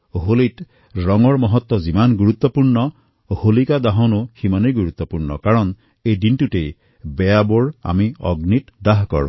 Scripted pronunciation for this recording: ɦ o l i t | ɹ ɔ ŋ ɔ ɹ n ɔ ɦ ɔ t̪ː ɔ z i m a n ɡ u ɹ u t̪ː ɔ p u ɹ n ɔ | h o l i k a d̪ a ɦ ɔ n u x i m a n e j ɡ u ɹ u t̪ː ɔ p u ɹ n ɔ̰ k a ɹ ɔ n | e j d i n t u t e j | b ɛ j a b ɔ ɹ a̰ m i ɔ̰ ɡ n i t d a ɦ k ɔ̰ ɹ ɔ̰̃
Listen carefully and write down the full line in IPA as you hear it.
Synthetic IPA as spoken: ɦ o l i t | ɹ ɔ ŋ ɔ ɹ m ɔ ɦ ɔ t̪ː ɔ z i m a n ɡ u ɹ u t̪ː ɔ p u ɹ n ɔ | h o l i k a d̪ a ɦ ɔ n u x i m a n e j ɡ u ɹ u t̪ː ɔ p u ɹ n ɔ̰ k a ɹ ɔ n | e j d i n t u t e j | b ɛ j a b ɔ ɹ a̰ m i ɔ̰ ɡ n i t d a ɦ k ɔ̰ ɹ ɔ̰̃